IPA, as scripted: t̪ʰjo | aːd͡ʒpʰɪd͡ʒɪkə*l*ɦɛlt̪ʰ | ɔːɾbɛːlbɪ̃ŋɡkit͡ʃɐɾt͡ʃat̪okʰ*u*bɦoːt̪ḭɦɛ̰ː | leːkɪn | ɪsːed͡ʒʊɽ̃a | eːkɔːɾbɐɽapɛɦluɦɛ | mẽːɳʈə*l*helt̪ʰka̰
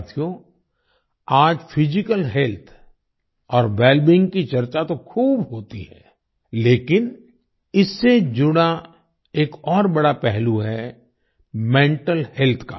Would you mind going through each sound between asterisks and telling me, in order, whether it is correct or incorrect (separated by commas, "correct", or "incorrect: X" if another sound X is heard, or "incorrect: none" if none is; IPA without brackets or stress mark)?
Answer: correct, incorrect: uː, correct